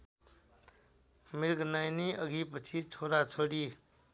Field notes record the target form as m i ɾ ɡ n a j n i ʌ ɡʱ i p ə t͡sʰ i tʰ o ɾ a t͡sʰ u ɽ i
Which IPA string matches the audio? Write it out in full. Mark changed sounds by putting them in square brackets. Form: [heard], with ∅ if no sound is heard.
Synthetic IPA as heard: m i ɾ ɡ n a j n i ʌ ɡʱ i p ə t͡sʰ i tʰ o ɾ a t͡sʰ [o] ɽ i